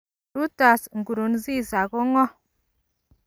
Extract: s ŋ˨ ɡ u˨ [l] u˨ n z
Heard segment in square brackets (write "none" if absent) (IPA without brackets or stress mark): ɾ